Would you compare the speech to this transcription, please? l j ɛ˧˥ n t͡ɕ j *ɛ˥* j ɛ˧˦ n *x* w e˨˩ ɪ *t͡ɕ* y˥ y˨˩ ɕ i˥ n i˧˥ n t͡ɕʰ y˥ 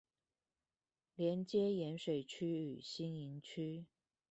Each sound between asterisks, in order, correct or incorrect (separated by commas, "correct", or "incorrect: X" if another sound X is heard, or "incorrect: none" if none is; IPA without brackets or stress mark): correct, incorrect: ʂ, incorrect: t͡ɕʰ